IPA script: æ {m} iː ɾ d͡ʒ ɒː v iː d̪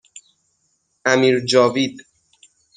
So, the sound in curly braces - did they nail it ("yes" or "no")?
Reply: yes